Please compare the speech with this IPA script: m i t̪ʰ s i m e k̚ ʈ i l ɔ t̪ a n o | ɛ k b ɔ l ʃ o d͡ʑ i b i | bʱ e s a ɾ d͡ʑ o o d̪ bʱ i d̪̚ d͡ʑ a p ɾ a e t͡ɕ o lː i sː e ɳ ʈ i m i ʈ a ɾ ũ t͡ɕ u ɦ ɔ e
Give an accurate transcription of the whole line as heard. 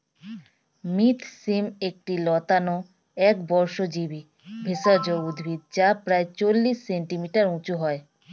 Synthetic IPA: m i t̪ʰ s i m e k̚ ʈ i l ɔ t̪ a n o | ɛ k b ɔ ɾ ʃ o d͡ʑ i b i | bʱ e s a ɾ d͡ʑ o u d̪ bʱ i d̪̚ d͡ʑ a p ɾ a e t͡ɕ o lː i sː e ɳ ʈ i m i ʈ a ɾ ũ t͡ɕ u ɦ ɔ e